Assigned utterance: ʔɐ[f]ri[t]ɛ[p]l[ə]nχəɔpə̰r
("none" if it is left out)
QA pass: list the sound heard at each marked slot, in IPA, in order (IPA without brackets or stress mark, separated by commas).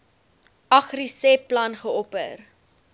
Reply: χ, s, p, ɐ